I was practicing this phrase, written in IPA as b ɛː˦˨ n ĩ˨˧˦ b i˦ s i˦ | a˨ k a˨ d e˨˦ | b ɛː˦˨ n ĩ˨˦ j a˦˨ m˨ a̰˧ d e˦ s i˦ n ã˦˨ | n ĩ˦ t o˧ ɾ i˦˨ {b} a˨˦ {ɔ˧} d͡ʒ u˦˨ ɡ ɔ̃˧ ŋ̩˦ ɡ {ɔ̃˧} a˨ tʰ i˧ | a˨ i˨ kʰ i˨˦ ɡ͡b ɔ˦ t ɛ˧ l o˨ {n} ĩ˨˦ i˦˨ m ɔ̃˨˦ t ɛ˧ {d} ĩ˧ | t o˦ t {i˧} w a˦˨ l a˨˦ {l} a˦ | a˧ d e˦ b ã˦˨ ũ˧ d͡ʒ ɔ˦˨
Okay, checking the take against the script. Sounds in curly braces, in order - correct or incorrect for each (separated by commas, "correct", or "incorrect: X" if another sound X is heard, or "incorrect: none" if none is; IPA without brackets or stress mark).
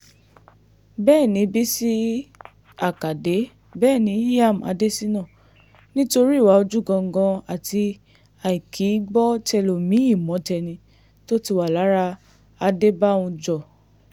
incorrect: w, incorrect: o˧, correct, incorrect: m, incorrect: n, correct, incorrect: ɾ